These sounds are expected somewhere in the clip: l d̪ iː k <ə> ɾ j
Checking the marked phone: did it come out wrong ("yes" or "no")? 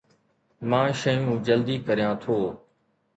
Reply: no